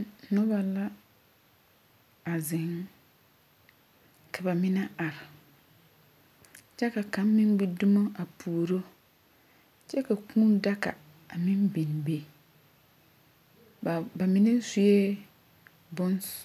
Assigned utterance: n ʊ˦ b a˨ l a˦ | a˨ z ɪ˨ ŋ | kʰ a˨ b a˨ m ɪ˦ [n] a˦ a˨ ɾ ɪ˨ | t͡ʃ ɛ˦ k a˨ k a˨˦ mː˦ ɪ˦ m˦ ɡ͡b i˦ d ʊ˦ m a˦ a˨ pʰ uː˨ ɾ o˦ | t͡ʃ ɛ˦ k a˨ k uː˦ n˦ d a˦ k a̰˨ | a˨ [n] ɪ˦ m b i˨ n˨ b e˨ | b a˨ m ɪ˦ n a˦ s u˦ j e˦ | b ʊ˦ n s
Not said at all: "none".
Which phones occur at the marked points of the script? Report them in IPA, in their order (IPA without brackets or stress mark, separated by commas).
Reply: n, m